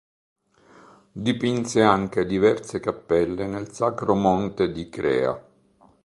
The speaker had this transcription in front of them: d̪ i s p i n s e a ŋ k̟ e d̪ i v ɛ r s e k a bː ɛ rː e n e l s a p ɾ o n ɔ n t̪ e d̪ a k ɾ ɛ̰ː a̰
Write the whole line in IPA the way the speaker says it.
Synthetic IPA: d̪ i p i n s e a ŋ k̟ e d̪ i v ɛ r s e k a pː ɛ lː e n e l s a k ɾ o m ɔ n t̪ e d̪ i k ɾ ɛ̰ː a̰